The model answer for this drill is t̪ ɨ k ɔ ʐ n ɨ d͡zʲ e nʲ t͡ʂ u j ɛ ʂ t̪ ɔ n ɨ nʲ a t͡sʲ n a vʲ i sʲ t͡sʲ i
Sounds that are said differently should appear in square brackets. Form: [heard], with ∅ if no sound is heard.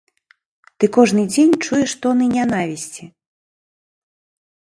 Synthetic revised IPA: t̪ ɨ k ɔ ʐ n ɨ d͡zʲ e nʲ t͡ʂ u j ɛ ʂ t̪ ɔ n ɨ nʲ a [∅] n a vʲ i sʲ t͡sʲ i